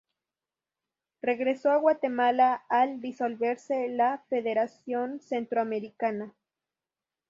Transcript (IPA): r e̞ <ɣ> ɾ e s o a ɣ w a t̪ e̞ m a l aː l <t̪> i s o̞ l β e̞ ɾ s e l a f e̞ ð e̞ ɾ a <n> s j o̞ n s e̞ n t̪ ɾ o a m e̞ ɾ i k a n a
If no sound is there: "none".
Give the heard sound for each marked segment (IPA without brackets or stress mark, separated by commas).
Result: ɣ, d̪, none